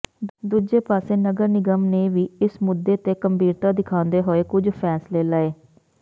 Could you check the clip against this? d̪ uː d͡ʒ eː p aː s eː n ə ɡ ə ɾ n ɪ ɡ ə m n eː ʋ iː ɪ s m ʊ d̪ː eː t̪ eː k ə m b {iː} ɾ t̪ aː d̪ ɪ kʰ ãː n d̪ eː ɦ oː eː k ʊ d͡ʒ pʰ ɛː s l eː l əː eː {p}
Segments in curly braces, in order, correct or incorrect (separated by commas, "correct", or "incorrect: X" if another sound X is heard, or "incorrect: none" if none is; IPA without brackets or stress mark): correct, incorrect: none